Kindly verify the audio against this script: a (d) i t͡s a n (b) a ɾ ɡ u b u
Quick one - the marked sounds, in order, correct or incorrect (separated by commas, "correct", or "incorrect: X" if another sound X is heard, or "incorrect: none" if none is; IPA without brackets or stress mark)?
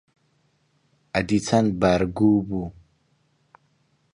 correct, correct